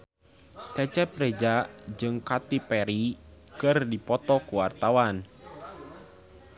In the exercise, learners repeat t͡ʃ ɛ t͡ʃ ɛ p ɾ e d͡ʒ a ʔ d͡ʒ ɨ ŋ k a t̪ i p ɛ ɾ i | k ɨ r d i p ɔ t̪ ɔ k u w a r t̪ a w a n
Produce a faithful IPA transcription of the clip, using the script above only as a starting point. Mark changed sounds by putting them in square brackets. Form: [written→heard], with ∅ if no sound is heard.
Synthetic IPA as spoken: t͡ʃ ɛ t͡ʃ ɛ p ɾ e d͡ʒ a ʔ d͡ʒ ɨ ŋ k a t̪ i p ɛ ɾ i | k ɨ r d i p ɔ t̪ ɔ k u w a r t̪ a w a n